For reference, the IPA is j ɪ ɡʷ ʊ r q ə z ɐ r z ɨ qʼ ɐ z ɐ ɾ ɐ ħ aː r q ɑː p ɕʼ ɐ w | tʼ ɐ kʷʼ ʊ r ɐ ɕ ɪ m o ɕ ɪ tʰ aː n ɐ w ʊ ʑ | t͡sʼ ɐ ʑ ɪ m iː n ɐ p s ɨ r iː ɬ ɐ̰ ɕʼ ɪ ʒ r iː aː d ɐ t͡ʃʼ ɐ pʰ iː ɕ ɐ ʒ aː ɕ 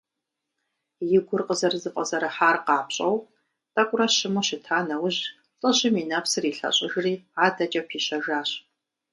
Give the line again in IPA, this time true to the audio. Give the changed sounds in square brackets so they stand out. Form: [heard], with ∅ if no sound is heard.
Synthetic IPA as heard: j ɪ ɡʷ ʊ r q ə z ɐ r z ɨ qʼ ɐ z ɐ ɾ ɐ ħ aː r q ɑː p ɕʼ ɐ w | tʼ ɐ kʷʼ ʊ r ɐ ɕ ɪ m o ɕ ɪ tʰ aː n ɐ w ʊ ʑ | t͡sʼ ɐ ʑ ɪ m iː n ɐ p s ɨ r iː ɬ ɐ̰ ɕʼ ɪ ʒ r iː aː d ɐ t͡ʃʼ ɐ pʰ iː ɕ ɐ ʒ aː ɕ